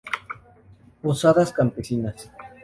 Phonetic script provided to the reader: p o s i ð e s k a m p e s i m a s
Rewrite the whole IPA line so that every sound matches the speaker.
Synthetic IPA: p o s a ð a s k a m p e s i n a s